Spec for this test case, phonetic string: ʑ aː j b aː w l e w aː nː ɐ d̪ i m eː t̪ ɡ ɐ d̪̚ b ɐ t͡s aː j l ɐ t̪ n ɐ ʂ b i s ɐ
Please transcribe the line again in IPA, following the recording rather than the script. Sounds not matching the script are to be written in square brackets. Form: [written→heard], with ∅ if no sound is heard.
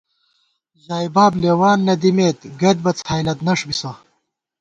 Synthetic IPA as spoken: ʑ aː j b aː [w→b] l e w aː nː ɐ d̪ i m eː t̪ ɡ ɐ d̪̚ b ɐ t͡s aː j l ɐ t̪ n ɐ ʂ b i s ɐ